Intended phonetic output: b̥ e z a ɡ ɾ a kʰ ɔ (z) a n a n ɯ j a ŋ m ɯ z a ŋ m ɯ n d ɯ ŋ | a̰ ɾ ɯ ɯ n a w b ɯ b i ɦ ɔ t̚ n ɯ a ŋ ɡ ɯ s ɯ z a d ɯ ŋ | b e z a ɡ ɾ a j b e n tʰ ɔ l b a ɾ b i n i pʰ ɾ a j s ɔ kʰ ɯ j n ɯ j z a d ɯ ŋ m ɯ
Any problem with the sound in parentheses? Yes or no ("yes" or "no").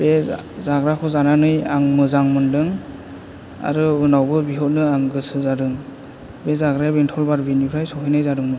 no